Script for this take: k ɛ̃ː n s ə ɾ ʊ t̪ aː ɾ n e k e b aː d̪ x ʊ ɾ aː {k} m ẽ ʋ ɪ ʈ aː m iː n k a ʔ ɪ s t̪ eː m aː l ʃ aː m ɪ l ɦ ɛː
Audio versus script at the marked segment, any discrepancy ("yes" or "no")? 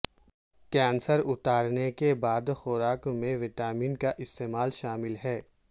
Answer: no